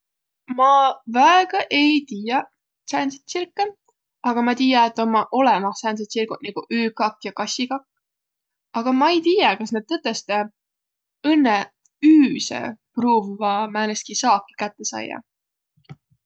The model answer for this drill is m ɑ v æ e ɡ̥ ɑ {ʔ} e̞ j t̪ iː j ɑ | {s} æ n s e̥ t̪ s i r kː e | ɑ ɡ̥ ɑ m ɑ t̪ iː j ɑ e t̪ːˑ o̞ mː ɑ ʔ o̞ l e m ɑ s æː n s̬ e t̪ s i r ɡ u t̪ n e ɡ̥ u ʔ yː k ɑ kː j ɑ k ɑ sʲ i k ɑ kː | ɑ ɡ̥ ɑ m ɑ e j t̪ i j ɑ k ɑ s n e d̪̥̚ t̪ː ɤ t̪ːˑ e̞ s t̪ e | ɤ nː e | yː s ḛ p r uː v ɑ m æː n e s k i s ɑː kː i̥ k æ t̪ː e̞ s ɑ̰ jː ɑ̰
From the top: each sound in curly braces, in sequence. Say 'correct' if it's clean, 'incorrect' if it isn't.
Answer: correct, correct

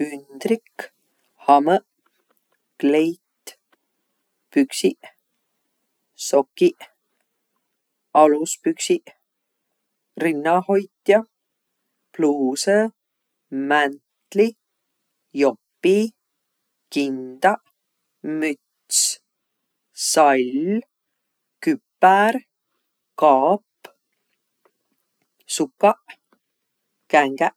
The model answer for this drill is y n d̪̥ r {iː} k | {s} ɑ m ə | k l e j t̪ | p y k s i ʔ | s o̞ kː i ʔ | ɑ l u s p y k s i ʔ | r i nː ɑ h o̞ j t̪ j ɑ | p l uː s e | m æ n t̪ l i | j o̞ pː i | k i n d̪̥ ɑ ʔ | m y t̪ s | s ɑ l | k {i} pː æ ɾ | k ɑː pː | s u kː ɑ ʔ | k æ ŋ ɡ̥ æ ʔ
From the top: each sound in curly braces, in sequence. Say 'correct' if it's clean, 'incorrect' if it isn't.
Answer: incorrect: i, incorrect: h, incorrect: y

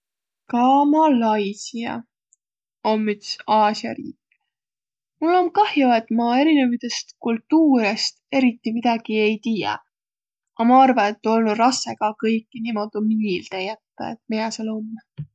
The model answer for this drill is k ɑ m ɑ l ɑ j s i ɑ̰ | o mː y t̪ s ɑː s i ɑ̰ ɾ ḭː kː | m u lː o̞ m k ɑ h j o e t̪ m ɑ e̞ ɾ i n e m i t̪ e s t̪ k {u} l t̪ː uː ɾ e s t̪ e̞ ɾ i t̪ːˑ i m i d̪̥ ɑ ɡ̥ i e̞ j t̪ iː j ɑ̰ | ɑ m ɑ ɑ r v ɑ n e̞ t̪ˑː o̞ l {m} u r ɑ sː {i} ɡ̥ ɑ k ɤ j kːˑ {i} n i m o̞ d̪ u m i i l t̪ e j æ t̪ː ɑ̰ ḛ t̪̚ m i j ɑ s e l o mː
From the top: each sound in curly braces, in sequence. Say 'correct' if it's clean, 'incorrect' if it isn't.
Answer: correct, incorrect: n, incorrect: e, correct

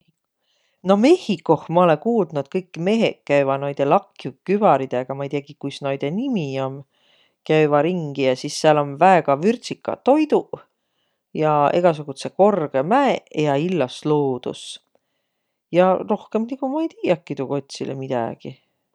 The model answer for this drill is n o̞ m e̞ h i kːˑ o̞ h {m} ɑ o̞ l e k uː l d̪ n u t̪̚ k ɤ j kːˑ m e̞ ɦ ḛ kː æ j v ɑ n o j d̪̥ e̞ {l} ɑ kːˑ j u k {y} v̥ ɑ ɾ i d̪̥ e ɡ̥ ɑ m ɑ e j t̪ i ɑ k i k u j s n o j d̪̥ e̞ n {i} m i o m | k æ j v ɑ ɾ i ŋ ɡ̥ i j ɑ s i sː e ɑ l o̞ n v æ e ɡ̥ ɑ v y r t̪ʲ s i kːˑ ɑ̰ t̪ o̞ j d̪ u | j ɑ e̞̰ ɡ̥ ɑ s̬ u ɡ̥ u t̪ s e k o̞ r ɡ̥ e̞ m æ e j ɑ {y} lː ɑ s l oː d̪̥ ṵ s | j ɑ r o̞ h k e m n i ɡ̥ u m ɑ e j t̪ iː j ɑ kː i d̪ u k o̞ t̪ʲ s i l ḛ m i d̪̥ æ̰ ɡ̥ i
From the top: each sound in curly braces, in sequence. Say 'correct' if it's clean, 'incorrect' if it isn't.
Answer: correct, correct, correct, correct, incorrect: i

